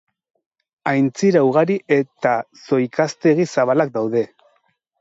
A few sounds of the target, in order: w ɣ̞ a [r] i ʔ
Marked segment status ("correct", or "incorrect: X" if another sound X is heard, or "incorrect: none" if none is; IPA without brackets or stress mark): incorrect: ɾ